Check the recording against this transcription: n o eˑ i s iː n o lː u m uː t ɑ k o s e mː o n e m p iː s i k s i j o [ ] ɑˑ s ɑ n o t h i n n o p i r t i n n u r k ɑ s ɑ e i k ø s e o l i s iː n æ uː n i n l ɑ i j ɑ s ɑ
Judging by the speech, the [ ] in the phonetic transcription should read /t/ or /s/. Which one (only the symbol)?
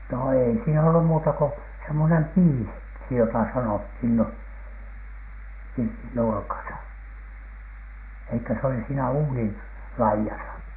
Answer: t